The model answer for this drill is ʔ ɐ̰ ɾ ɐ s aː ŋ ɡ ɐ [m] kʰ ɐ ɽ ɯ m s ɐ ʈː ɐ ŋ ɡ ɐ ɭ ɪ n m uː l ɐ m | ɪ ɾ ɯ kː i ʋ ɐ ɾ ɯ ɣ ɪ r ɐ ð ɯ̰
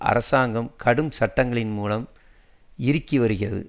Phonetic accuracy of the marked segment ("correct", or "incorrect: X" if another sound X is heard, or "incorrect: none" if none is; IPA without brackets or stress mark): correct